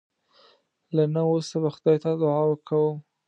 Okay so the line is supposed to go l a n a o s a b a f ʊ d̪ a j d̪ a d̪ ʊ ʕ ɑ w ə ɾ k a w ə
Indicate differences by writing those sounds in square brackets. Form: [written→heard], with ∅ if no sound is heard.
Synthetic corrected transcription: l a n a o s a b a [f→x] ʊ d̪ [a→ɑ] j [d̪→t̪] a d̪ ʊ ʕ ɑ w ə ɾ k a w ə